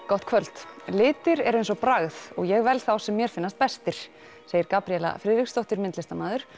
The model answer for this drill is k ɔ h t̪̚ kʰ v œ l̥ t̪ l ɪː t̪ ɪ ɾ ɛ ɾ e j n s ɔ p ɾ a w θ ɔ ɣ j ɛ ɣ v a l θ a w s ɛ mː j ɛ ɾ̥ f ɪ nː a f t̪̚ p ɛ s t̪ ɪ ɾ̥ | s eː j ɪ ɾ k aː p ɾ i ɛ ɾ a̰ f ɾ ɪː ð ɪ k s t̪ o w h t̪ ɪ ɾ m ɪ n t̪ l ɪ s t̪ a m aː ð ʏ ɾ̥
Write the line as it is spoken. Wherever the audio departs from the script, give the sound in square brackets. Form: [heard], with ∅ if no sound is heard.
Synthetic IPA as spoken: k ɔ h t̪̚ kʰ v œ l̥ t̪ l ɪː t̪ ɪ ɾ ɛ ɾ e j n s ɔ p ɾ a [ɣ] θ ɔ ɣ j ɛ ɣ v [ɛ] l θ a w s ɛ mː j ɛ ɾ̥ f ɪ nː a [s] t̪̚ p ɛ s t̪ ɪ ɾ̥ | s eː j ɪ ɾ k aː p ɾ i ɛ [l] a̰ f ɾ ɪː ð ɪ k s t̪ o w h t̪ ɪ ɾ m ɪ n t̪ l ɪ s t̪ a m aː ð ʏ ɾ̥